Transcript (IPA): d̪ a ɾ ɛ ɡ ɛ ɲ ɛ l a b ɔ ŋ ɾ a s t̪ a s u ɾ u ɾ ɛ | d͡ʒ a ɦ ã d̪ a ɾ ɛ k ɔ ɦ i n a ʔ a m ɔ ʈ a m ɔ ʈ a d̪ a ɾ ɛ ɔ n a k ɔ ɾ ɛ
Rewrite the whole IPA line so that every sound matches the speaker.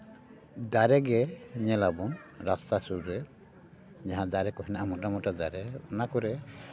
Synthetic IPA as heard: d̪ a ɾ ɛ ɡ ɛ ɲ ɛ l a b ɔ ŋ ɾ a s t̪ a s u ɾ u ɾ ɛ | d͡ʒ a ɦ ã d̪ a ɾ ɛ k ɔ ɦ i n a ʔ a m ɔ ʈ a m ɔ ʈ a d̪ a ɾ ɛ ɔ n a k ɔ ɾ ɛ